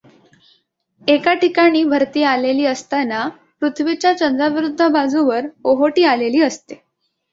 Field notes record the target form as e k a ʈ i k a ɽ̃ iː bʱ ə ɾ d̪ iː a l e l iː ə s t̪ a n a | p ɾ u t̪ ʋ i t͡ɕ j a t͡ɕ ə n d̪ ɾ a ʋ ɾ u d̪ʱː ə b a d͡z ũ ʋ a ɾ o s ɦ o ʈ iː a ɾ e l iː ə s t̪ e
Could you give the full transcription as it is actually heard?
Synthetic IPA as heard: e k a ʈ i k a ɽ̃ iː bʱ ə ɾ t̪ iː a l e l iː ə s t̪ a n a | p ɾ u t̪ʰ ʋ i t͡ɕ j a t͡ɕ ə n d̪ ɾ a ʋ ɾ u d̪ʱː ə b a d͡z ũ ʋ ə ɾ o ɦ o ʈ iː a l e l iː ə s t̪ e